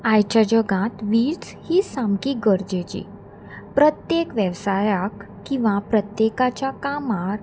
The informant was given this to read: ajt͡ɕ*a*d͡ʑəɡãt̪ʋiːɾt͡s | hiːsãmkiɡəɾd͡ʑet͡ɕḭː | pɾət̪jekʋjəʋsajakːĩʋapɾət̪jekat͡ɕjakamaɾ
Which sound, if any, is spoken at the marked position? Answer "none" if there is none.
a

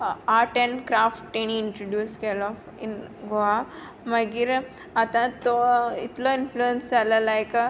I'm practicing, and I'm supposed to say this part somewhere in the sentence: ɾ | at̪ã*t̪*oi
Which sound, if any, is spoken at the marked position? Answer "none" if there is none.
t̪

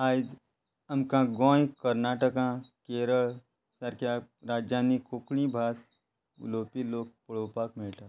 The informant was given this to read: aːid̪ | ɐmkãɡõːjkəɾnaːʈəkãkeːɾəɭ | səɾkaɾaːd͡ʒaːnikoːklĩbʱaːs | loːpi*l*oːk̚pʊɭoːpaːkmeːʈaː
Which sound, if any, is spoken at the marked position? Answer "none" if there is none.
l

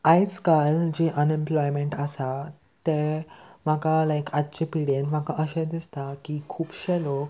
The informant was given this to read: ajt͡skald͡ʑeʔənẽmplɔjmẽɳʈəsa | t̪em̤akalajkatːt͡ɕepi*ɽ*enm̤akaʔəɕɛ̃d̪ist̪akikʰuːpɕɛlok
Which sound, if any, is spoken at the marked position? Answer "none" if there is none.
ɽ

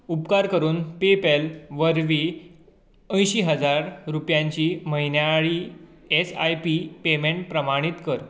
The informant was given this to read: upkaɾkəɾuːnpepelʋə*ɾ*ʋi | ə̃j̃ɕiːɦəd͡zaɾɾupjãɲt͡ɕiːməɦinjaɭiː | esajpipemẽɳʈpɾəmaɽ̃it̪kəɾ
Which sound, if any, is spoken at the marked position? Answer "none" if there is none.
ɾ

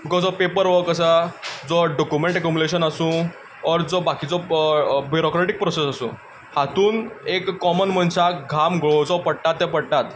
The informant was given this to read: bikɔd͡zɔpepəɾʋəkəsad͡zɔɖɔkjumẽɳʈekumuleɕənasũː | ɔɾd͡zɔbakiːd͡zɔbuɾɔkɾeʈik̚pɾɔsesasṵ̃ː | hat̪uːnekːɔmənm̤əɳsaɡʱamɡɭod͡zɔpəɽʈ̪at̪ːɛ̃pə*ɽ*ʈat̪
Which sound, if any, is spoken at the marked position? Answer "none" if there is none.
ɽ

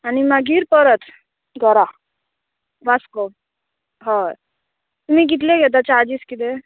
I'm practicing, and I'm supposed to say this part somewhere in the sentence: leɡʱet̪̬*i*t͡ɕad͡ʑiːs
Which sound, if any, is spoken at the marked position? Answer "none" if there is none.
a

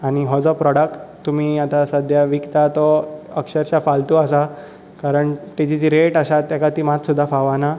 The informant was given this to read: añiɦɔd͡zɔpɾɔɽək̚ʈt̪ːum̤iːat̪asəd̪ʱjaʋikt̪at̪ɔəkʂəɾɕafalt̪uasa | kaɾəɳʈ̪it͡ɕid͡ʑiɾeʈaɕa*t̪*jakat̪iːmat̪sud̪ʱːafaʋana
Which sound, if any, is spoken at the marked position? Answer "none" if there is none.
t̪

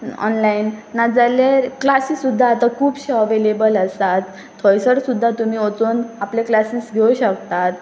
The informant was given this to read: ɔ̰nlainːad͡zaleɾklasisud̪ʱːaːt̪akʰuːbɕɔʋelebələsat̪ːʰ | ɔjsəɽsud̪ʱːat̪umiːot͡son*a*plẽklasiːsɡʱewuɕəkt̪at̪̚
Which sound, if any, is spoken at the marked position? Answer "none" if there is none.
a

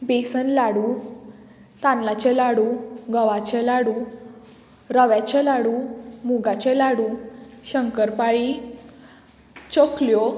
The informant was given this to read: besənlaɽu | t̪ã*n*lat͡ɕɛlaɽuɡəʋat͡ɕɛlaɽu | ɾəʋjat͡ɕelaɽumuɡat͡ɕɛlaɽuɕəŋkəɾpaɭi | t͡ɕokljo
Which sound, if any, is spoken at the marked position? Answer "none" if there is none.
n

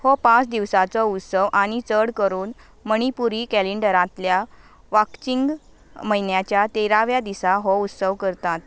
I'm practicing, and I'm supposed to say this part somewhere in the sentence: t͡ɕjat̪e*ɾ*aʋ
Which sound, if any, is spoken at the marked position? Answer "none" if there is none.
ɾ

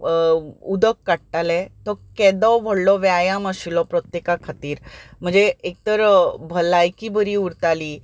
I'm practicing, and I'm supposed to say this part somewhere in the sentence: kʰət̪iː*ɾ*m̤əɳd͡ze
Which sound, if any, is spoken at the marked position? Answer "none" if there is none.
ɾ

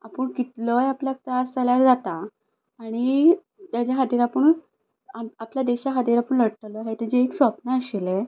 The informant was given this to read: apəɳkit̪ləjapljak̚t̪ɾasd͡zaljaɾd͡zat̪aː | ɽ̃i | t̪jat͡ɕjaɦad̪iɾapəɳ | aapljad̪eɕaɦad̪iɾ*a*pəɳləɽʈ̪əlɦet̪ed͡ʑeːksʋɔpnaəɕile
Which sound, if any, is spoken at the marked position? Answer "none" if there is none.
a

